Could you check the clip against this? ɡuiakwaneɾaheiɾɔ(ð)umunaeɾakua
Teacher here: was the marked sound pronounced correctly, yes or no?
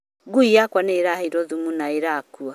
yes